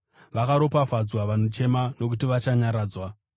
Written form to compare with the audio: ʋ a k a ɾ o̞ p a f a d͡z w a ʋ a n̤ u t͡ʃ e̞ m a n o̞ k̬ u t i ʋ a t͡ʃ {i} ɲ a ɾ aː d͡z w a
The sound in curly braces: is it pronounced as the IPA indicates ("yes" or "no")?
no